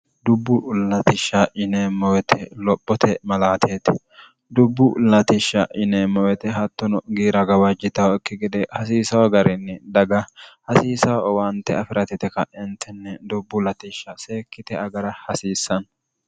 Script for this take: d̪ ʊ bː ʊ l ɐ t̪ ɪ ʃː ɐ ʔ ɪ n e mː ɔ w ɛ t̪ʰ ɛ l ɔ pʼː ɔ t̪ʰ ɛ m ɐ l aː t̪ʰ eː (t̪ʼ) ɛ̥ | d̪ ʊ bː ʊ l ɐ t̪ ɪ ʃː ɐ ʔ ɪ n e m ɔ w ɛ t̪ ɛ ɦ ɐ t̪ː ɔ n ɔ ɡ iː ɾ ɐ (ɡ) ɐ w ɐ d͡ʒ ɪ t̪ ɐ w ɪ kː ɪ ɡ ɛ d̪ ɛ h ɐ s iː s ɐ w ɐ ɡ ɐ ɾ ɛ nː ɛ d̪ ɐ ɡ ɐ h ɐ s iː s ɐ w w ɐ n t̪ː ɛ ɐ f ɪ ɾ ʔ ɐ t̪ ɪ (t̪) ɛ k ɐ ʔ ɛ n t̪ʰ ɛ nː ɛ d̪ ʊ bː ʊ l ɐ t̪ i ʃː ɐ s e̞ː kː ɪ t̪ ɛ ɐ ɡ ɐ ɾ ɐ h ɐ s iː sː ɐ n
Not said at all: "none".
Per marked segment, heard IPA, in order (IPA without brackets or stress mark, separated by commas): t̪, ɡ, t̪